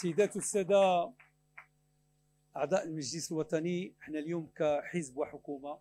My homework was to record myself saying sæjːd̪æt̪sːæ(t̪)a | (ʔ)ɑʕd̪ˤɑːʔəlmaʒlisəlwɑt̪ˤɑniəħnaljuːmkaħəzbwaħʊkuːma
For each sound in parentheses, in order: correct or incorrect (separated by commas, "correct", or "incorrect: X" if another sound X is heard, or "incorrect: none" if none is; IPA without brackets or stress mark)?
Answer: incorrect: d̪, correct